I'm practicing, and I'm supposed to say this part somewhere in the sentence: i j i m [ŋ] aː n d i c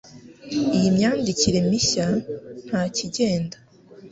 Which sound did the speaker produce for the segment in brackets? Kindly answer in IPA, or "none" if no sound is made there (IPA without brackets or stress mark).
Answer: ɲ